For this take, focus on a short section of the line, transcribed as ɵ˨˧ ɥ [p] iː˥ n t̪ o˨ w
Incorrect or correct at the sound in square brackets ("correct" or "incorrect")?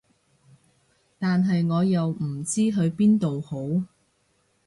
correct